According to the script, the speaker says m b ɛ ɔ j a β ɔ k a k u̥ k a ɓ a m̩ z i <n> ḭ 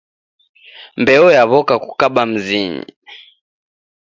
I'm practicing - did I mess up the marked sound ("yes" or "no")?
yes